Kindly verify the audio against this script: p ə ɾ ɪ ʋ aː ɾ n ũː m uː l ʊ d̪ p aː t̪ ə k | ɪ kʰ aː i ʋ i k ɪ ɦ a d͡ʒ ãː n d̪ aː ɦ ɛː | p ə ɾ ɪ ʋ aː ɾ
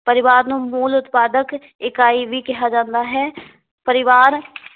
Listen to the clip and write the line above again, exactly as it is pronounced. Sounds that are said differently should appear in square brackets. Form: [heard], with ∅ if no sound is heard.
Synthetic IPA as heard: p ə ɾ ɪ ʋ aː ɾ n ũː m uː l ʊ [t̪] p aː [d̪] ə k | ɪ [k] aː i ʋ i k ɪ ɦ a d͡ʒ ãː n d̪ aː ɦ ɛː | p ə ɾ ɪ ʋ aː ɾ